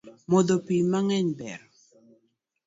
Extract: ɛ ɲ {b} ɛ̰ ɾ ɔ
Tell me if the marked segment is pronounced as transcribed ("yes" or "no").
yes